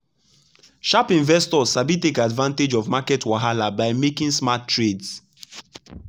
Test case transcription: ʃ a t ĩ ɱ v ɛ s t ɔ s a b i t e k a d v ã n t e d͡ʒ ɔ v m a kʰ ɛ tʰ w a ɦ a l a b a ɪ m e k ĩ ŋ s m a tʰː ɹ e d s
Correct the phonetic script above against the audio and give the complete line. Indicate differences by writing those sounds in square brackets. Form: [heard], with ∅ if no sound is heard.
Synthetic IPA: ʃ a [p] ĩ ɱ v ɛ s t ɔ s a b i t e k a d v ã n t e d͡ʒ ɔ v m a [k] ɛ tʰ w a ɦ a l a b a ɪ m e k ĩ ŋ s m a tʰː ɹ e d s